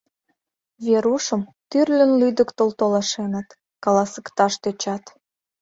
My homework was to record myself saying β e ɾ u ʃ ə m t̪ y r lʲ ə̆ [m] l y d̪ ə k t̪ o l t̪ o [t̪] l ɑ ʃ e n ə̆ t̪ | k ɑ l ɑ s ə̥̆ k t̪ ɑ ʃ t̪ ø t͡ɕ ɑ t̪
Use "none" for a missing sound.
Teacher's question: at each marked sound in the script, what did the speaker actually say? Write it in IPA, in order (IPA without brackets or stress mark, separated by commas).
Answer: n, none